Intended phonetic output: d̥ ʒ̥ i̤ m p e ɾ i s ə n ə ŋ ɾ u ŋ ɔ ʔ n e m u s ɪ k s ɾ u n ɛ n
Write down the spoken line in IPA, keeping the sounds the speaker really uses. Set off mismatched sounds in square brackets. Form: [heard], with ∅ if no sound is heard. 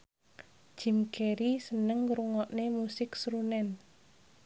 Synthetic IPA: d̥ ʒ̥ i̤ m [k] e ɾ i s ə n ə ŋ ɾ u ŋ ɔ ʔ n e m u s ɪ k s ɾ u n ɛ n

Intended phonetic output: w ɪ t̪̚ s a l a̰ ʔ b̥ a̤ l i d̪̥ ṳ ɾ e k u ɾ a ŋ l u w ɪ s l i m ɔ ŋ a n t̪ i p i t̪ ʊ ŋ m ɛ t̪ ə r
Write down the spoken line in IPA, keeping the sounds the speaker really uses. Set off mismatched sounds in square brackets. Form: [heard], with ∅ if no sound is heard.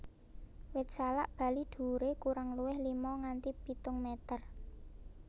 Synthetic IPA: w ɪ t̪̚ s a l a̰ ʔ b̥ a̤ l i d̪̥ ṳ ɾ e k u ɾ a ŋ l u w ɪ [h] l i m ɔ ŋ a n t̪ i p i t̪ ʊ ŋ m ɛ t̪ ə r

